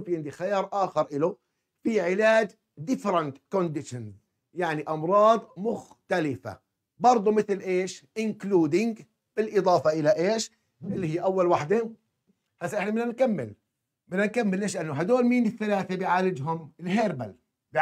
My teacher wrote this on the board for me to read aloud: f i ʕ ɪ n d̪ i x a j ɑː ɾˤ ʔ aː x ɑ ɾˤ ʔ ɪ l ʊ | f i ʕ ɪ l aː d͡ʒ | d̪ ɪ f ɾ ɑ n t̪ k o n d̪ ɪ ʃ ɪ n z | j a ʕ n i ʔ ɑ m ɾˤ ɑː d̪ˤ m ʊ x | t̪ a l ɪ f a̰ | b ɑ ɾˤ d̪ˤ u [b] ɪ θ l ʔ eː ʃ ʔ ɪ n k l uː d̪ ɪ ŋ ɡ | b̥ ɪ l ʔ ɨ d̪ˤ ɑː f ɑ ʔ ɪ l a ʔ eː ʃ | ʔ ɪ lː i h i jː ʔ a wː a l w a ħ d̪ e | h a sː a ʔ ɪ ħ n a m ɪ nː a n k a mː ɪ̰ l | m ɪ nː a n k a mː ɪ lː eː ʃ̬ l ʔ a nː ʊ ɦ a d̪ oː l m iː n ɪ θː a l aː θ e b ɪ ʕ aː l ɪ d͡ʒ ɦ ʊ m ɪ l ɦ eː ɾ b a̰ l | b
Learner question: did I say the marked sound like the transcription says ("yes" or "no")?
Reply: no